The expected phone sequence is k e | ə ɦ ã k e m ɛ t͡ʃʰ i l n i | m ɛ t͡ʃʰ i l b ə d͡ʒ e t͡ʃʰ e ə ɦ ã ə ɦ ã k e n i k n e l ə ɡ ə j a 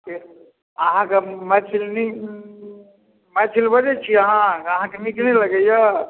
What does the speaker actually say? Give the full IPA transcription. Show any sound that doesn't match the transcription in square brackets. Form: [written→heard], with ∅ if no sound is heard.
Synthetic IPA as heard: k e | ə ɦ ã k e m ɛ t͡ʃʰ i l n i | m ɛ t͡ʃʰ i l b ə d͡ʒ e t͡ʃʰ [e→i] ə ɦ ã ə ɦ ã k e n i k n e l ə ɡ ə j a